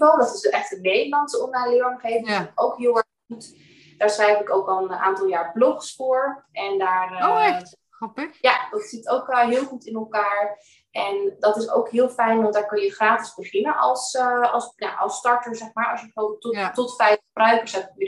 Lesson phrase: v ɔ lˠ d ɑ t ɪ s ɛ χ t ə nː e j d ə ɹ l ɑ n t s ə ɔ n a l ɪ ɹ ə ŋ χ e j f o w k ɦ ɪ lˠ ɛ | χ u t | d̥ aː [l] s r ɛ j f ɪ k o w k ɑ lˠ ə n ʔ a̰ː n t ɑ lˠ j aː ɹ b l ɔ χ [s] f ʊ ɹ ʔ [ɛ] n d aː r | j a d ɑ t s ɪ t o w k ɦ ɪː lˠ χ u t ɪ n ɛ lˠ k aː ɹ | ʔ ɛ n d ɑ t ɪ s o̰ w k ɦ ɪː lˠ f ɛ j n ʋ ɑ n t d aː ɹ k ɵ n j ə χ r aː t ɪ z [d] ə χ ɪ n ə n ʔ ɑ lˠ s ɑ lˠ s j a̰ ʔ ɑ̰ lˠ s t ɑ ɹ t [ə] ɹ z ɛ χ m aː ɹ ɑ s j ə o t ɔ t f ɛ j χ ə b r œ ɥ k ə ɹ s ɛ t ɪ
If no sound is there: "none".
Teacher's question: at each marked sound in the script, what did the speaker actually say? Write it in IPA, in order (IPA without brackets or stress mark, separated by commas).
ɹ, s, ɛ, b, ə